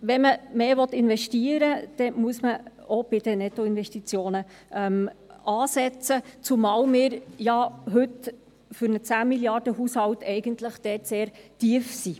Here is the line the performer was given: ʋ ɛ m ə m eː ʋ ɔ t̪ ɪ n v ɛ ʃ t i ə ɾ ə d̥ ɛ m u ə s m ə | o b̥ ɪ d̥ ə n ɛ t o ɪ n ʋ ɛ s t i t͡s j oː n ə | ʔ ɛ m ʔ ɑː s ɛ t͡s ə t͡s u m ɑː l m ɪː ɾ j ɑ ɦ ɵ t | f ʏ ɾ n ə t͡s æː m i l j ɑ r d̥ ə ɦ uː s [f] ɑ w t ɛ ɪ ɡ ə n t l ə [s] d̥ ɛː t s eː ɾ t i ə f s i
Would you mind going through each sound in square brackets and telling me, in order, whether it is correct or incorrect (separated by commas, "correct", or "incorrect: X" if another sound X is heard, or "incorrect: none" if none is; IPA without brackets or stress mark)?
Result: incorrect: h, incorrect: χ